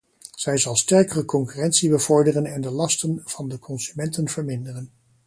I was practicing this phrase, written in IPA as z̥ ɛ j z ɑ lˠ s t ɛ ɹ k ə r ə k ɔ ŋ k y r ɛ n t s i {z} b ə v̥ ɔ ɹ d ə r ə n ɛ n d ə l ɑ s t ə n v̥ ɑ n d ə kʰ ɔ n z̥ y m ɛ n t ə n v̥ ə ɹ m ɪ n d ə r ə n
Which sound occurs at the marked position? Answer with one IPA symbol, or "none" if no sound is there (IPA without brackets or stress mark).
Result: none